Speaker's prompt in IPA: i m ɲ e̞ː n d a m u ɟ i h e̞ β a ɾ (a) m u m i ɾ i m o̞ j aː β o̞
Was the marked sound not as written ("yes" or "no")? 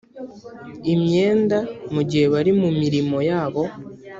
yes